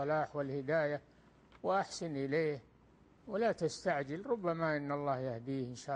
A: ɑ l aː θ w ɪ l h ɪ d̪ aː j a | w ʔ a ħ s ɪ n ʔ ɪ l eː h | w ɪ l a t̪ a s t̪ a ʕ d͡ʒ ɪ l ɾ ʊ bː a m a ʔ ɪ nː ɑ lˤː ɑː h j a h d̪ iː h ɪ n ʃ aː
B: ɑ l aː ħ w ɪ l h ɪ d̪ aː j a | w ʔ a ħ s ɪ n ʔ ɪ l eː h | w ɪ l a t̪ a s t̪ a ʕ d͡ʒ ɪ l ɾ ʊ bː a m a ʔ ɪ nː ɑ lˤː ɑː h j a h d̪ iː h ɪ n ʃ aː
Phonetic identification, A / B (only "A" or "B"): B